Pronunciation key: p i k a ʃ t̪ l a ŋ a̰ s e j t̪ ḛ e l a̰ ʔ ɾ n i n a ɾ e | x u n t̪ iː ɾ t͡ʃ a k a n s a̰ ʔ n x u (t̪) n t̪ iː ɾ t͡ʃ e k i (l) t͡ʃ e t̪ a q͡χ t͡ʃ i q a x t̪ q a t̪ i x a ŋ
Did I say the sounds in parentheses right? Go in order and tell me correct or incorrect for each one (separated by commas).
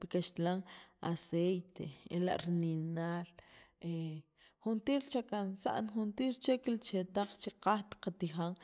incorrect, correct